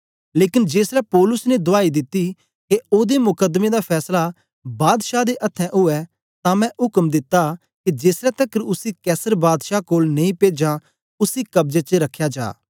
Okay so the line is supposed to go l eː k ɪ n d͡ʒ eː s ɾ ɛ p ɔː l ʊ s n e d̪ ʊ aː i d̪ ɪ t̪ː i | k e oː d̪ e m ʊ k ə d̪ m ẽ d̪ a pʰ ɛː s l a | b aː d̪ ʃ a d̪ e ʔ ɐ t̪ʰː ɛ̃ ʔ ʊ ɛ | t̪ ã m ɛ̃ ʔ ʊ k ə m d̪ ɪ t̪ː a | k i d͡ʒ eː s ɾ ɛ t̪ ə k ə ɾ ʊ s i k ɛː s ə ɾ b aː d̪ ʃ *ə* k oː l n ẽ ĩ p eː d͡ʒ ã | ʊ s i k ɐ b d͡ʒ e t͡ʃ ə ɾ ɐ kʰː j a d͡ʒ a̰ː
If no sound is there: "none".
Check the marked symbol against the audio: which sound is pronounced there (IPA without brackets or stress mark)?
a